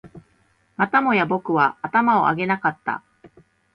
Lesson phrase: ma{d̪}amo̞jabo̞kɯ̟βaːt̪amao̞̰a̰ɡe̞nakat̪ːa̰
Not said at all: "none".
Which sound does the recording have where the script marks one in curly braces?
t̪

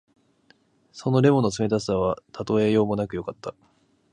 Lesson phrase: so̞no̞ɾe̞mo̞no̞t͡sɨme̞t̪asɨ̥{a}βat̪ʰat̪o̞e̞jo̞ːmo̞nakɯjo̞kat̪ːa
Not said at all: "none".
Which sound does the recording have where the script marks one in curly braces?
a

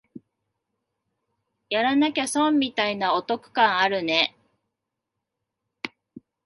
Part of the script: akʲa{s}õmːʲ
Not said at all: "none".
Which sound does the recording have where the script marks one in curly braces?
s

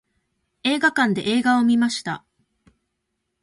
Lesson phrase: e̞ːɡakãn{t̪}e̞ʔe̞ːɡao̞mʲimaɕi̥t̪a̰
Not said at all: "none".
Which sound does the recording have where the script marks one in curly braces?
d̪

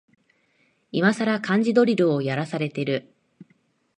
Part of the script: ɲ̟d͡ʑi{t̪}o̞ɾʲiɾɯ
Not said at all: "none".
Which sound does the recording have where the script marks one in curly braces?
d̪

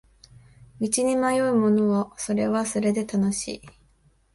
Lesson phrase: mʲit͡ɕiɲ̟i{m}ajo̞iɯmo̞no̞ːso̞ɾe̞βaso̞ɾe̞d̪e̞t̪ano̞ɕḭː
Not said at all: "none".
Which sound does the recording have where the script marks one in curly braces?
m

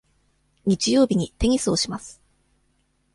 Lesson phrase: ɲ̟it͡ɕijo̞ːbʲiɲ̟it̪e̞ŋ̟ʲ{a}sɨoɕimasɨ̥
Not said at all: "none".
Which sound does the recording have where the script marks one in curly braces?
i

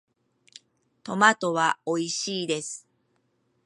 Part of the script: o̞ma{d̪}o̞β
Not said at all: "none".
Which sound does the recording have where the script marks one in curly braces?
t̪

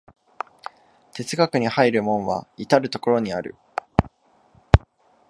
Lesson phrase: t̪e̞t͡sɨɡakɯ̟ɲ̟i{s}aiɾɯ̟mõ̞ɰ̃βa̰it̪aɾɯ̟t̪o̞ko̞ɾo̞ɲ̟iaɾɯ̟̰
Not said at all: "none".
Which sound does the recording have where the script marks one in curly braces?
h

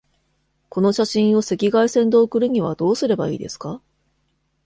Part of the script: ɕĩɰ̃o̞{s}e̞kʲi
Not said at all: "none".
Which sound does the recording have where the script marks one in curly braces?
s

